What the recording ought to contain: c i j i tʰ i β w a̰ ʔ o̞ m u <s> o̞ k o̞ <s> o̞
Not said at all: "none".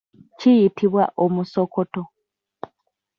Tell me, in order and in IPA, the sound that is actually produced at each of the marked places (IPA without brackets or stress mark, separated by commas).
s, t